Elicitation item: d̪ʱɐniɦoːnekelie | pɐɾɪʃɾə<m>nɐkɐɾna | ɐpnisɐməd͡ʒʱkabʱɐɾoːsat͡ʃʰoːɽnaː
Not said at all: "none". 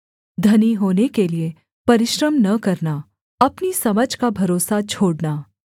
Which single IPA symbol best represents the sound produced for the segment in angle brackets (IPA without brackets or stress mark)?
m